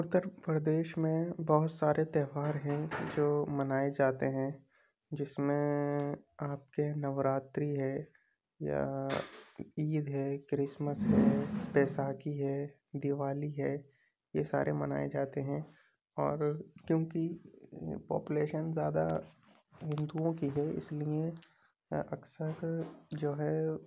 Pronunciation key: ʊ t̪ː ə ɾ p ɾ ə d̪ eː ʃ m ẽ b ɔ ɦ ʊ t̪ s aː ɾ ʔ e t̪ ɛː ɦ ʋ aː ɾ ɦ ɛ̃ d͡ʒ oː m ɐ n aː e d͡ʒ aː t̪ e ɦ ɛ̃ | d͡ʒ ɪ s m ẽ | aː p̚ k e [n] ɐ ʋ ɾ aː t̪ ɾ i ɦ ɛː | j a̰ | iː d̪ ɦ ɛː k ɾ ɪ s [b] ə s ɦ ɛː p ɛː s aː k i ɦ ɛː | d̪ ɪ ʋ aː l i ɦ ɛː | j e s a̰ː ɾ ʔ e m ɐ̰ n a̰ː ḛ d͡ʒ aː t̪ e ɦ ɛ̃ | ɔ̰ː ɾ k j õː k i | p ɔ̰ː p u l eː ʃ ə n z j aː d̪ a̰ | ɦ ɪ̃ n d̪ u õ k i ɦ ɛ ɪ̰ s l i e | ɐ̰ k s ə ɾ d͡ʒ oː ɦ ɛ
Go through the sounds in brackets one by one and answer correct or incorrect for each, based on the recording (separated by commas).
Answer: correct, incorrect